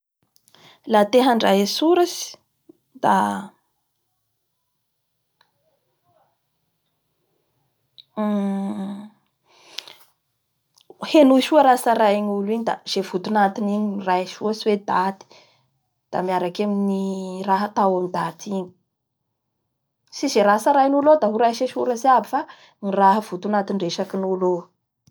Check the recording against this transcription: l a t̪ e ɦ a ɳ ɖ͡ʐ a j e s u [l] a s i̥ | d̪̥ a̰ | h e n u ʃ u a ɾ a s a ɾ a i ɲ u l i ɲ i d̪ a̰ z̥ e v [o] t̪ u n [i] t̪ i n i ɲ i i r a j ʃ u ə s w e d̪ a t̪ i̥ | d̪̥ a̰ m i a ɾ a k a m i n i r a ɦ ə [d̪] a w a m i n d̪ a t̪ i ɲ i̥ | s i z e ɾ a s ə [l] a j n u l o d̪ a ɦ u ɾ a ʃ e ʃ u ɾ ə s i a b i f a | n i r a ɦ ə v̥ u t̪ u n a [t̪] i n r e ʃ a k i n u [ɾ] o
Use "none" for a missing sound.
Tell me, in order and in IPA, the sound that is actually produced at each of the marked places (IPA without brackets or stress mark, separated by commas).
ɾ, u, a, t̪, ɾ, t̪, l